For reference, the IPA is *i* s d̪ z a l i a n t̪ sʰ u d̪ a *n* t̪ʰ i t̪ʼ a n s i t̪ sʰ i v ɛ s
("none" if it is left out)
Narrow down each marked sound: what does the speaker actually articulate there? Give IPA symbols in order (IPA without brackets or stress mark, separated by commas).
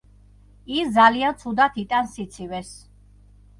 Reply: i, none